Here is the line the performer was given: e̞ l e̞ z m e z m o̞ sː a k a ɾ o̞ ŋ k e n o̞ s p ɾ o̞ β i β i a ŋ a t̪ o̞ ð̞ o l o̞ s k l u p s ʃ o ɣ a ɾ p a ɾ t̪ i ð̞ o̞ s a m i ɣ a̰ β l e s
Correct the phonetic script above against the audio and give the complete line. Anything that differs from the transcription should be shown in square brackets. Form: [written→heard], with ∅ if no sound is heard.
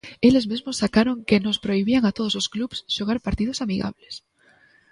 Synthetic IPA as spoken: e̞ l e̞ z m e z m o̞ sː a k a ɾ o̞ ŋ k e n o̞ s p ɾ o̞ [β→∅] i β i a ŋ a t̪ o̞ ð̞ o l o̞ s k l u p s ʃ o ɣ a ɾ p a ɾ t̪ i ð̞ o̞ s a m i ɣ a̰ β l e s